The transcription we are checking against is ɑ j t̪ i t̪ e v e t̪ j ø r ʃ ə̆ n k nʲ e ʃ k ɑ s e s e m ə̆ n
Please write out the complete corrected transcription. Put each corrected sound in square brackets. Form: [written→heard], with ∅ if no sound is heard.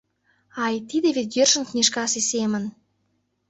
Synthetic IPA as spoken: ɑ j t̪ i [t̪→d̪] e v e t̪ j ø r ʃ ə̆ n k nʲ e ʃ k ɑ s e s e m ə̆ n

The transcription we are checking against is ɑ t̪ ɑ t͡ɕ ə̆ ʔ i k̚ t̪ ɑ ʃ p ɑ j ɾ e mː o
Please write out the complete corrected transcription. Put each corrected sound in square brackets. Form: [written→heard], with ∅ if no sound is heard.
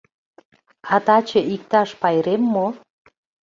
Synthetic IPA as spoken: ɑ t̪ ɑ t͡ɕ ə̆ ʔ i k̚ t̪ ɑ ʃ p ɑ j ɾ e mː o

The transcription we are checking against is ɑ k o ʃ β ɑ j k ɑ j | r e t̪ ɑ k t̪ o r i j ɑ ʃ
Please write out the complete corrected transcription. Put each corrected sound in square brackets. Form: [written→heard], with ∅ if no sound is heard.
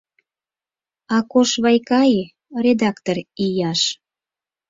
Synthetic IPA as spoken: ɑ k o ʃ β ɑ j k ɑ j | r e [t̪→d̪] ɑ k t̪ o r i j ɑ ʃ

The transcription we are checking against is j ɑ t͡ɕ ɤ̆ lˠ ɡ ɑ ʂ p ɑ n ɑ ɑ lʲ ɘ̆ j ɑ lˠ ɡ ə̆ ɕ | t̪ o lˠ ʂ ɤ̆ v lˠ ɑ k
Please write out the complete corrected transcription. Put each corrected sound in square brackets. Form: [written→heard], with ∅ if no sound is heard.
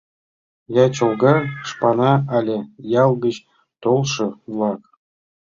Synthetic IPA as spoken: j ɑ t͡ɕ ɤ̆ lˠ ɡ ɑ ʂ p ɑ n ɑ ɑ lʲ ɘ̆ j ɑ lˠ ɡ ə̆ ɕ | t̪ o lˠ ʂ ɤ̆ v lˠ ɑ k

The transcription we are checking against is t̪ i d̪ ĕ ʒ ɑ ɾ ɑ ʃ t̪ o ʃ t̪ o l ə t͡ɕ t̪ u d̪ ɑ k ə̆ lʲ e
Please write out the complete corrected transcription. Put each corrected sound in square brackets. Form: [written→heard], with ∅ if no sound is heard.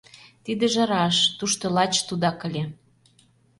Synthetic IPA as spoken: t̪ i d̪ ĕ ʒ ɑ ɾ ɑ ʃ t̪ [o→u] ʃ t̪ o l [ə→ɑ] t͡ɕ t̪ u d̪ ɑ k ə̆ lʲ e

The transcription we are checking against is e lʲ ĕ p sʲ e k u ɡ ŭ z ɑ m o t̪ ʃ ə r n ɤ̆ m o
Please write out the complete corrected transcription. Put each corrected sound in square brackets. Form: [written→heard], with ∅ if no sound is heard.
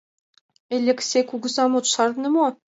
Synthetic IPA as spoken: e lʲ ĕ [p→k] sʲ e k u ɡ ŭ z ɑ m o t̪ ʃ [ə→ɑ] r n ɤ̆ m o

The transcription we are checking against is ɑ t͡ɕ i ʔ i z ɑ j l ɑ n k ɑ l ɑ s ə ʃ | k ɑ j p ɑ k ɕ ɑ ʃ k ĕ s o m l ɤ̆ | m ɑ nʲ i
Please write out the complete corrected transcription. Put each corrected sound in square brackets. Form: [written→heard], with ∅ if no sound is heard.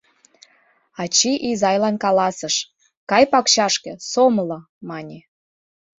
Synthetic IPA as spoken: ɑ t͡ɕ i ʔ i z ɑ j l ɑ n k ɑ l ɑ s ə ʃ | k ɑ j p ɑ k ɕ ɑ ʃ k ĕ s o m l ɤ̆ | m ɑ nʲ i

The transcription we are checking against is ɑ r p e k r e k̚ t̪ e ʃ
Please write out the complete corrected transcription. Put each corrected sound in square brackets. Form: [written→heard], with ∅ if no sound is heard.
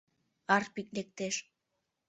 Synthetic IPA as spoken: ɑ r p [e→i] k [r→l] e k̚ t̪ e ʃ

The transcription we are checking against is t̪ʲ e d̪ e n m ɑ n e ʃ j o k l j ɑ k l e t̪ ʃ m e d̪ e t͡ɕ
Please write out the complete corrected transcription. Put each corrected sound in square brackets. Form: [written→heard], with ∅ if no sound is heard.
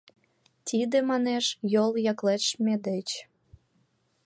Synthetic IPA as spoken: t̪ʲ [e→i] d̪ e [n→∅] m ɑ n e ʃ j o [k→∅] l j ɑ k l e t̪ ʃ m e d̪ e t͡ɕ

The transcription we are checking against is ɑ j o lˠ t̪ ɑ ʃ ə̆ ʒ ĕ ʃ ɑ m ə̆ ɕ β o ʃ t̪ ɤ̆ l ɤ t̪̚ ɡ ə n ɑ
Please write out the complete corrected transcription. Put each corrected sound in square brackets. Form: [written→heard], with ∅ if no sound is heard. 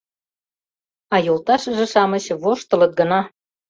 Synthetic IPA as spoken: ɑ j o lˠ t̪ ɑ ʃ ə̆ ʒ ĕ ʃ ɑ m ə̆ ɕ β o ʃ t̪ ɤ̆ l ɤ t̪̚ ɡ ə n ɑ

